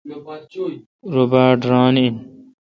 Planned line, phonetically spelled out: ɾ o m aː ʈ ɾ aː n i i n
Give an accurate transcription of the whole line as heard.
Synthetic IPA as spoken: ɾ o b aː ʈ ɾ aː n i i n